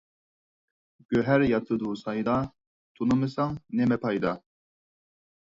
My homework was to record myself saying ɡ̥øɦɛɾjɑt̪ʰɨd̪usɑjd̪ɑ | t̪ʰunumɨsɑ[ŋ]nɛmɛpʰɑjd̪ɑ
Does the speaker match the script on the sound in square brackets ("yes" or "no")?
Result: yes